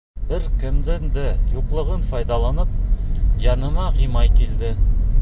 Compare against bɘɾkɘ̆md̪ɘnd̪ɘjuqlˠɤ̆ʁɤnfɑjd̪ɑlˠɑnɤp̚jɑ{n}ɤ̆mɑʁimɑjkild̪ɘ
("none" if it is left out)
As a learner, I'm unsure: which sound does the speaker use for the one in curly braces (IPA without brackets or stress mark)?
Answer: n